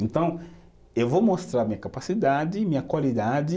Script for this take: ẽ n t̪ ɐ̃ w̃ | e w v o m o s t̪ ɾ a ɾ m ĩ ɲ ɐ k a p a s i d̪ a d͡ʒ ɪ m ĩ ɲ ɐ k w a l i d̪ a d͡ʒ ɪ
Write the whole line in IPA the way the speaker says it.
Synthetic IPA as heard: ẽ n t̪ ɐ̃ w̃ | e w v o m o s t̪ ɾ a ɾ m ĩ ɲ ɐ k a p a s i d̪ a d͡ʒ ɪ m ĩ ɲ ɐ k w a l i d̪ a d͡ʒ ɪ